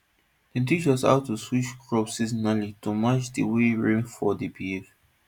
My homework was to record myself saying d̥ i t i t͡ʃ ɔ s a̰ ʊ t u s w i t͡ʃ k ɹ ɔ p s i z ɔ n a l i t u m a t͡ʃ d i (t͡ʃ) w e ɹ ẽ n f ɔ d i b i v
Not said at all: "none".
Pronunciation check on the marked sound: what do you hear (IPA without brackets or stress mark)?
none